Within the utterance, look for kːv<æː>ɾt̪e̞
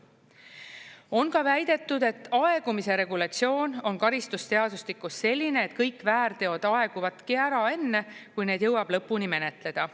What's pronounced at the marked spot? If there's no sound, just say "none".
æː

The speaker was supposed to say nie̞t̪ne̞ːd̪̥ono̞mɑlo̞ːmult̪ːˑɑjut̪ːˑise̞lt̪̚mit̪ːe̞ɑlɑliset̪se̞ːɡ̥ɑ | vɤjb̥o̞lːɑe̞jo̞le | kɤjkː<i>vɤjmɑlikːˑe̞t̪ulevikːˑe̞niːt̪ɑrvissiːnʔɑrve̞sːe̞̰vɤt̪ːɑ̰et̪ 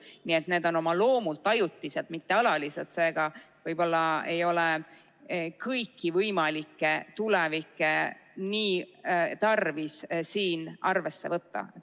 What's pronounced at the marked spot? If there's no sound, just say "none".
i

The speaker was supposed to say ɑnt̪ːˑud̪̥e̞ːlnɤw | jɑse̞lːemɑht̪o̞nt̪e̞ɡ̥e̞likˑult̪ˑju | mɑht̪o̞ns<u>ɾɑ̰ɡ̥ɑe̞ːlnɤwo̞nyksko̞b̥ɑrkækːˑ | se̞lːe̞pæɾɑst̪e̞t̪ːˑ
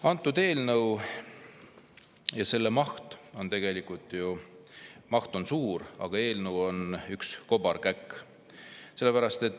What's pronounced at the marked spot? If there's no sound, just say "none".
uː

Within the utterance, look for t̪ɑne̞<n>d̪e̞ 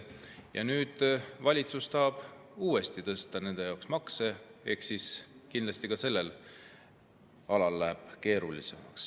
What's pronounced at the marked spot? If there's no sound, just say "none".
n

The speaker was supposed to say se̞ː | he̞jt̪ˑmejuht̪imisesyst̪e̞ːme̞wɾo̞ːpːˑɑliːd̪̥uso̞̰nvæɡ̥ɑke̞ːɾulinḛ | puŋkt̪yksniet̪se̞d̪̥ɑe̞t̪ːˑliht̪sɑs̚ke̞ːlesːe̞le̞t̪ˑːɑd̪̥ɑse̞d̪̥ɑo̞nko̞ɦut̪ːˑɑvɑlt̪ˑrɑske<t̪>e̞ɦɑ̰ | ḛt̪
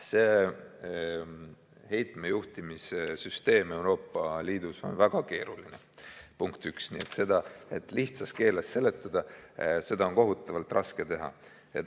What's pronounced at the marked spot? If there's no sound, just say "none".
t̪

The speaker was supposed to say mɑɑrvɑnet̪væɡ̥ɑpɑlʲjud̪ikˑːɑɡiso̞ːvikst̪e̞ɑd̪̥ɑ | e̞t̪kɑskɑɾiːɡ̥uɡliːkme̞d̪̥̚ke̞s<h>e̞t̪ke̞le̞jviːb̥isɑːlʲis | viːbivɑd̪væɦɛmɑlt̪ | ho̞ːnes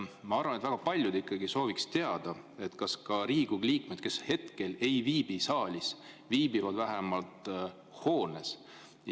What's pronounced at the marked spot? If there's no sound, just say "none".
h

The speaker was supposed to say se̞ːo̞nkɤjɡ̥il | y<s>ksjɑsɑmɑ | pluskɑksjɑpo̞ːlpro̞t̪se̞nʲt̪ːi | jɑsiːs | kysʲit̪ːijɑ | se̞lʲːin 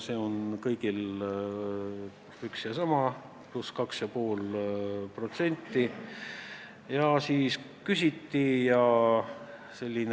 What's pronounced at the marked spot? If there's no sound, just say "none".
none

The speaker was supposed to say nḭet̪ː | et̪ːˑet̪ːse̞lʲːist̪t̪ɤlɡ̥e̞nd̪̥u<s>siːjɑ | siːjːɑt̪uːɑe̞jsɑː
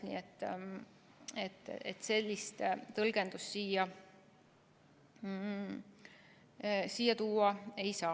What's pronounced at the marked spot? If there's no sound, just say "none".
s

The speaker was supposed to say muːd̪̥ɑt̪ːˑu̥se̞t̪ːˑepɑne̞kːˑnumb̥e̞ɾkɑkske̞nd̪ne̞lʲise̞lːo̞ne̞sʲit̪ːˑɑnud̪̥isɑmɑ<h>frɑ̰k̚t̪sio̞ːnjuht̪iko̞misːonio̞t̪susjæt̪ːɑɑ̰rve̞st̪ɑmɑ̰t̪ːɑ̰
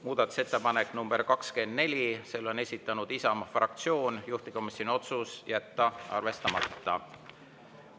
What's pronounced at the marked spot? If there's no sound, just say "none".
none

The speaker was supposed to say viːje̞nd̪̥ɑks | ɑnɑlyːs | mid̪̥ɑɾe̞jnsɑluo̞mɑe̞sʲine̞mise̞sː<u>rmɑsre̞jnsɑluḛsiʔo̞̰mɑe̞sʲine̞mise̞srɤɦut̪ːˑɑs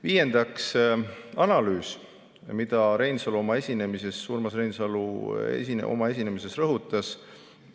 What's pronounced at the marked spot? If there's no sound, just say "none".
uː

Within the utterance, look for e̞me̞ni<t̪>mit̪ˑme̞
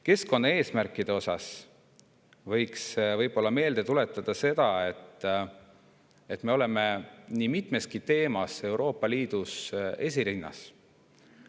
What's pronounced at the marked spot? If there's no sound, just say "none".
none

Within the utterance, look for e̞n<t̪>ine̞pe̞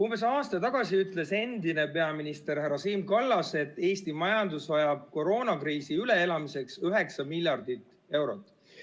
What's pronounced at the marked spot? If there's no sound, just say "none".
d̪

